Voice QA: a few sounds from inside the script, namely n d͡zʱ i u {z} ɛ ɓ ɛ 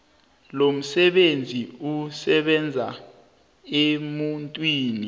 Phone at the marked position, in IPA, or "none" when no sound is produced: s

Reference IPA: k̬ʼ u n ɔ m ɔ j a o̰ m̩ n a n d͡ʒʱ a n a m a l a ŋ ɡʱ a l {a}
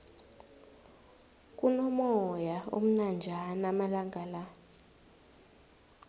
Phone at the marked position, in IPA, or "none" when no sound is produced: a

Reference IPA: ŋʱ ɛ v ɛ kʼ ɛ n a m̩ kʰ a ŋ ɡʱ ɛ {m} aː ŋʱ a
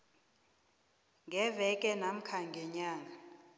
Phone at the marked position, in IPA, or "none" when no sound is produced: ɲ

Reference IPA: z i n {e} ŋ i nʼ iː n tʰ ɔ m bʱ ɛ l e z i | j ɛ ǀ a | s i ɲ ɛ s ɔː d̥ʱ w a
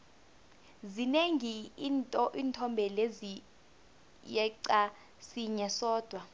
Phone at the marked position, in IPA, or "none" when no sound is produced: e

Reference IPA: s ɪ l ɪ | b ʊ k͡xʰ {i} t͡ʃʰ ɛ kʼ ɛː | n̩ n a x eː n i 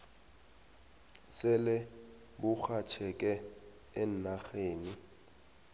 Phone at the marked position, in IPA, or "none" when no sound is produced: a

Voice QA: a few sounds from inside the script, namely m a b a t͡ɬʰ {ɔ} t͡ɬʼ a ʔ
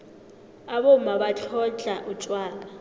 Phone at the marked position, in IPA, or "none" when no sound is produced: ɔ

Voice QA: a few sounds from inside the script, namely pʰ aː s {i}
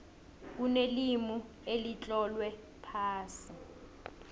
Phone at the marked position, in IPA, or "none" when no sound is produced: i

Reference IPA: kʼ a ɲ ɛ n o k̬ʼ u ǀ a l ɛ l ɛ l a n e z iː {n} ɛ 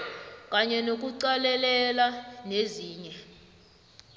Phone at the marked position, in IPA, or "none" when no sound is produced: ɲ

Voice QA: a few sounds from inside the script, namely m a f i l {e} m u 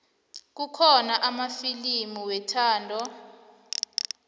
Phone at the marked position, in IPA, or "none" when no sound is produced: i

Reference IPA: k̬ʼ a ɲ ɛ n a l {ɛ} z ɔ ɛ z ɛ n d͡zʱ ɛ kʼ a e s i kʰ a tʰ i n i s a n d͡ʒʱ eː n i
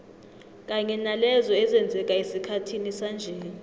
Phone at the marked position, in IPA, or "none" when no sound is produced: ɛ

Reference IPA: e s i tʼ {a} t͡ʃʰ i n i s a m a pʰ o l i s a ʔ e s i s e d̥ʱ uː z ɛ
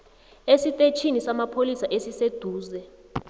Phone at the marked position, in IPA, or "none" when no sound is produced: e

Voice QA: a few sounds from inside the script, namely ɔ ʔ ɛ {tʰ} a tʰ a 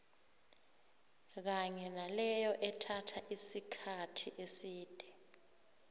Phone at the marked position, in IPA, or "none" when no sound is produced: tʰ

